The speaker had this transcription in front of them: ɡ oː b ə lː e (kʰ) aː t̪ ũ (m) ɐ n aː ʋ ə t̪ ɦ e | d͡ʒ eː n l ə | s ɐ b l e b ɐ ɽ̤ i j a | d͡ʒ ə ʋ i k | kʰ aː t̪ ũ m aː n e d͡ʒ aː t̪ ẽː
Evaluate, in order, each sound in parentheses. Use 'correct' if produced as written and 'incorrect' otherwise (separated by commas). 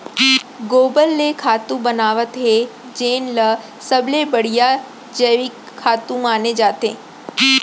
correct, incorrect